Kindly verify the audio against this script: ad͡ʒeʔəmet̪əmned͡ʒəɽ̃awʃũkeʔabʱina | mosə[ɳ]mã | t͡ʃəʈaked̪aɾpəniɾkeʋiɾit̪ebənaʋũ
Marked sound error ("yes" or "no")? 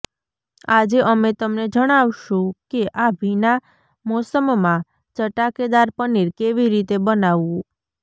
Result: yes